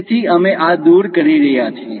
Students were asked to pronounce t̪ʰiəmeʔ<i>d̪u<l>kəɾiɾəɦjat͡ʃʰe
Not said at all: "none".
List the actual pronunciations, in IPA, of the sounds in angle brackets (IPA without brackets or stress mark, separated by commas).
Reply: a, ɾ